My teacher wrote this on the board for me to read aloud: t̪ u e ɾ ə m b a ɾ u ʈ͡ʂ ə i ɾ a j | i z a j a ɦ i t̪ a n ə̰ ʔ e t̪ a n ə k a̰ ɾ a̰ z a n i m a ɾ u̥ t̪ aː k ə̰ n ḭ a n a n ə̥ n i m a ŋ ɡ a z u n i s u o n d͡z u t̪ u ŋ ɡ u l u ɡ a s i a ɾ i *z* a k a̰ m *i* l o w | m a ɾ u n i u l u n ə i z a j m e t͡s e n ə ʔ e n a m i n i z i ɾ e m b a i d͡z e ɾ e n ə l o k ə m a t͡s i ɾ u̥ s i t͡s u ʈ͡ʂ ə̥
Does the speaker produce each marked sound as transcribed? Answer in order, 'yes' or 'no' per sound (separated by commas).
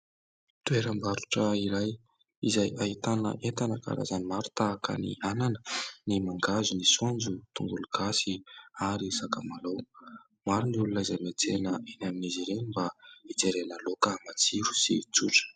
no, no